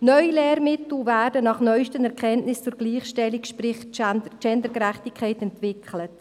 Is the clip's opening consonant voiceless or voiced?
voiced